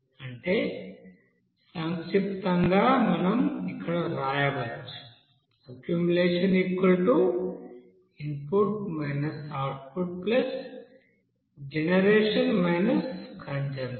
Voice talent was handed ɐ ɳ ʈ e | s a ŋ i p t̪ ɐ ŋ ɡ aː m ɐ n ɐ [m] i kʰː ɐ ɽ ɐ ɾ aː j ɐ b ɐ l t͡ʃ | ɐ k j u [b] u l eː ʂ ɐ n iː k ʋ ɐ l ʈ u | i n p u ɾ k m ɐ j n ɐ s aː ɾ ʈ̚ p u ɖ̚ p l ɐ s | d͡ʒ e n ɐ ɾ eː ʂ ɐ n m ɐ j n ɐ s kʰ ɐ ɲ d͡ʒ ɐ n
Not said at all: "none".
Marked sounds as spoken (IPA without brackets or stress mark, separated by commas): m, m